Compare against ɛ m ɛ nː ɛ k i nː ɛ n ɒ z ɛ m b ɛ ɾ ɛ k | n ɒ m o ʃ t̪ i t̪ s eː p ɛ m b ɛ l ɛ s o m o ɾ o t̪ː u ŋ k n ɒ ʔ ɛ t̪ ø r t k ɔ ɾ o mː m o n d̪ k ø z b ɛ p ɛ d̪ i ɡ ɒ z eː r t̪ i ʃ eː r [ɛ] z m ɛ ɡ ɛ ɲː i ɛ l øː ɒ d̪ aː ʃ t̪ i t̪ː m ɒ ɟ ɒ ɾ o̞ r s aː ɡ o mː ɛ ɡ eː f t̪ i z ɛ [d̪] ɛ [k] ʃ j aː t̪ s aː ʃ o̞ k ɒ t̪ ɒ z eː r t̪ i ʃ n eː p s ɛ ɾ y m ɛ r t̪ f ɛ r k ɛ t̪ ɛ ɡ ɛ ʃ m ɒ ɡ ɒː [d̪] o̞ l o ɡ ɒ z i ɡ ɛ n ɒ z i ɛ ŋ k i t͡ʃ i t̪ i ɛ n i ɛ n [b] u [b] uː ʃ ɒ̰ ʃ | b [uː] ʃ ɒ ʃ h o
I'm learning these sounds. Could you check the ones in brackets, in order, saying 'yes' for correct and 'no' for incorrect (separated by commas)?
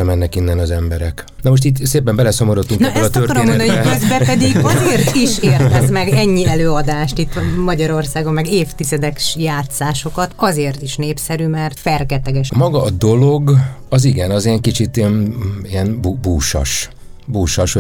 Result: yes, yes, yes, yes, yes, yes, yes